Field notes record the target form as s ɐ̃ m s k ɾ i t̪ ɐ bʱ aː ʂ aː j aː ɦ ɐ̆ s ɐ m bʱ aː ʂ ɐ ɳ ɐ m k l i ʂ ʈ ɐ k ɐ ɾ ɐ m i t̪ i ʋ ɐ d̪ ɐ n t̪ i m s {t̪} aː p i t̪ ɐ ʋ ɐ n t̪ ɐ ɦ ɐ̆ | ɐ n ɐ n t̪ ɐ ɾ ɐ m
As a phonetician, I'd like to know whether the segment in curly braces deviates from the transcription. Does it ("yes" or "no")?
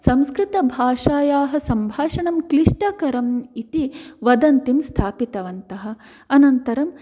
yes